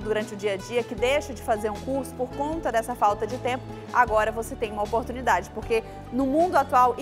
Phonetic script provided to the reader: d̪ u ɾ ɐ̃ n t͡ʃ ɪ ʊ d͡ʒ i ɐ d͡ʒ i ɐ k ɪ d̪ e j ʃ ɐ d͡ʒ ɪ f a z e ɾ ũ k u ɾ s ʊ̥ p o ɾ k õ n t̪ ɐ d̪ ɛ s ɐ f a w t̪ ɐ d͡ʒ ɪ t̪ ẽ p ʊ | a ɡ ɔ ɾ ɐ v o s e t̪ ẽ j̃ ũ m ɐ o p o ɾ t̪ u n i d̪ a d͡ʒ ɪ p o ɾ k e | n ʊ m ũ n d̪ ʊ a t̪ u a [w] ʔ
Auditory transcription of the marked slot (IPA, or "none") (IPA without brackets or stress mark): w